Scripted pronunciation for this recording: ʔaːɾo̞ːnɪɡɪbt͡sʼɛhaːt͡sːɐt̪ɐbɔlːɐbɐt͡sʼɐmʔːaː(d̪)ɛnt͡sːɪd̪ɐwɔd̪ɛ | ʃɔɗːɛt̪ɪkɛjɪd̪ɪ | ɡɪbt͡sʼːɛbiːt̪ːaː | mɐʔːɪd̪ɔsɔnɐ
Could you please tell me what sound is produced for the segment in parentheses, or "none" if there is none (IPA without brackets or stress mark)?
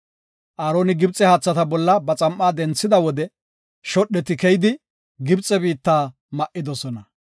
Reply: d̪